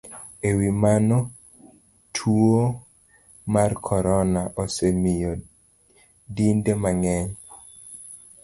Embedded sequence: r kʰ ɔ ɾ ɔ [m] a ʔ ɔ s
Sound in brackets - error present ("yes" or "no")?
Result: yes